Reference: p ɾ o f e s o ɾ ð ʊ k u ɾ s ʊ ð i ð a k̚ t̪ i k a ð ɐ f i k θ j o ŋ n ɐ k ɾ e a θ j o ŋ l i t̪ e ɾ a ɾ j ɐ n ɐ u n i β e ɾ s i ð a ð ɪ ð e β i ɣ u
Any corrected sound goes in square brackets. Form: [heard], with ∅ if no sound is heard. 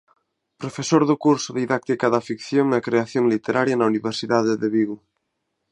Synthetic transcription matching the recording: p ɾ o f e s o ɾ ð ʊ k u ɾ s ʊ ð i ð a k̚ t̪ i k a ð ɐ f i k θ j o ŋ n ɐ k ɾ e a θ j o ŋ l i t̪ e ɾ a ɾ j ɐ n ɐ u n i β e ɾ s i ð a ð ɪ ð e β i ɣ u